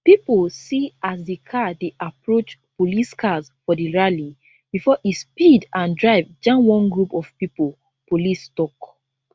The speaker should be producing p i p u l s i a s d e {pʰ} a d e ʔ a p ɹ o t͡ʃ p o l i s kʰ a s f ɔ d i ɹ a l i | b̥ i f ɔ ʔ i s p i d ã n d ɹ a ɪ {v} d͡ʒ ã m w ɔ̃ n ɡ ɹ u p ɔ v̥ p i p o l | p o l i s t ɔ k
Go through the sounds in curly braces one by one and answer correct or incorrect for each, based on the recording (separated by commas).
incorrect, correct